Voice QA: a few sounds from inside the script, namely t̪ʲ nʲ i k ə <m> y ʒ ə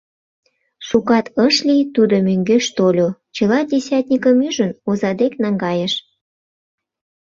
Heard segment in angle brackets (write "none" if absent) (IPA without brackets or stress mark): m